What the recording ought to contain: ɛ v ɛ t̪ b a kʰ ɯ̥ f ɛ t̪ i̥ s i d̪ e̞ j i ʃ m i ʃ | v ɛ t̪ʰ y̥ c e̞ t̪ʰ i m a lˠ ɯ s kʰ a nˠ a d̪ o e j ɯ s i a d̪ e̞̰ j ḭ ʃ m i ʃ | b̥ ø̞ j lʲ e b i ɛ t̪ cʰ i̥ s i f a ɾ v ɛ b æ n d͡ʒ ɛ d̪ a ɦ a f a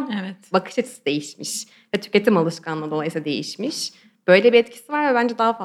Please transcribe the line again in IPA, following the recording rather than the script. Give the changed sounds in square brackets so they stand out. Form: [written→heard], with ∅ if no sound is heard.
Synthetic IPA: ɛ v ɛ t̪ b a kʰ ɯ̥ [f→ʃ] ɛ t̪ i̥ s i d̪ e̞ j i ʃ m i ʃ | v ɛ t̪ʰ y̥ c e̞ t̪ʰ i m a lˠ ɯ [s→ʃ] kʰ a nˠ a d̪ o [e→a] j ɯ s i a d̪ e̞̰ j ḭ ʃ m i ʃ | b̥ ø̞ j lʲ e b i ɛ t̪ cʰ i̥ s i [f→v] a ɾ v ɛ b æ n d͡ʒ ɛ d̪ a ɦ a f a